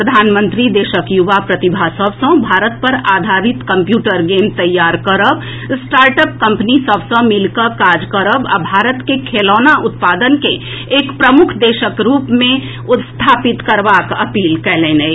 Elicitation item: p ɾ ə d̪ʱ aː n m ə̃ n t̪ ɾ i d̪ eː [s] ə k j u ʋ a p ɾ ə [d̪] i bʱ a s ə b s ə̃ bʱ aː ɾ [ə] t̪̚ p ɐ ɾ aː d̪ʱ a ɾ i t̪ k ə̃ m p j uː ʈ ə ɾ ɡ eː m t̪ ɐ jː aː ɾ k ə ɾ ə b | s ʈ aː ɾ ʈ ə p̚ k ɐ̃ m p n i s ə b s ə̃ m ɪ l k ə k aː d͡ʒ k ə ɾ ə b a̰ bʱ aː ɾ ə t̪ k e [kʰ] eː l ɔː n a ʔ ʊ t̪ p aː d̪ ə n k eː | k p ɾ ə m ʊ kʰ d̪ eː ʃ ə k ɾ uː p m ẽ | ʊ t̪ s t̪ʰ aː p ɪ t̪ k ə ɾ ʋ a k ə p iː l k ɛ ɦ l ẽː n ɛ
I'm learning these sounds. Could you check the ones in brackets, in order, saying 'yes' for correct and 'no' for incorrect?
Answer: no, no, yes, yes

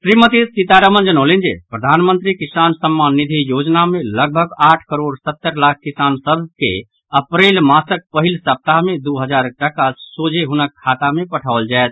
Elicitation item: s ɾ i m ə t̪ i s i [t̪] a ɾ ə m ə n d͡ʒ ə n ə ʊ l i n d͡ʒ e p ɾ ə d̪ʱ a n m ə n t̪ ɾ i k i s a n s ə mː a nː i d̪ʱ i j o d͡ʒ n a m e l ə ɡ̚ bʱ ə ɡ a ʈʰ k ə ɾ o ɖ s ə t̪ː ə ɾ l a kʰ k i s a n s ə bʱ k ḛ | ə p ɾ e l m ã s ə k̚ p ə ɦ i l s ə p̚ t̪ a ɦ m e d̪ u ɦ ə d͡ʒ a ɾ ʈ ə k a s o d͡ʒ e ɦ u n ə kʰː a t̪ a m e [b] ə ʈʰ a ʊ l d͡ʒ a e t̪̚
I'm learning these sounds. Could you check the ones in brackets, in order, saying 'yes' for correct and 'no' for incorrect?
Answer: yes, no

